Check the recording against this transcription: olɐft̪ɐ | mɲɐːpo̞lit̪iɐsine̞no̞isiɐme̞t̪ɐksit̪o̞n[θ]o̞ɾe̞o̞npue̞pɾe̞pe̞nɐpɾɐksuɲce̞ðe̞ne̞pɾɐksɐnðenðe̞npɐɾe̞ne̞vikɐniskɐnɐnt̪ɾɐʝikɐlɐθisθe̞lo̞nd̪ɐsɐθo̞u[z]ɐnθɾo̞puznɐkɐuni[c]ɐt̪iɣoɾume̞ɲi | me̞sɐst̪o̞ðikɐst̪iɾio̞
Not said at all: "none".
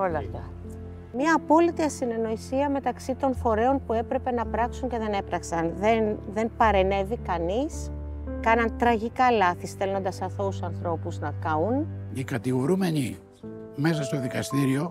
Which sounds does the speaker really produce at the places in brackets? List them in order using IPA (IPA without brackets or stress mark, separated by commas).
f, s, k